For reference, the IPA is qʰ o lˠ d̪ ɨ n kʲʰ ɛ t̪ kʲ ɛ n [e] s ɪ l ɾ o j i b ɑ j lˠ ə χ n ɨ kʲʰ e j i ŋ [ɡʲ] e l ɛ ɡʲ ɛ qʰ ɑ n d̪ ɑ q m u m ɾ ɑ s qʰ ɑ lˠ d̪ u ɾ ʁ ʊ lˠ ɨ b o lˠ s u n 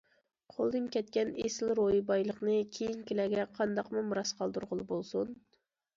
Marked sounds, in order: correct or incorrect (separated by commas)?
correct, incorrect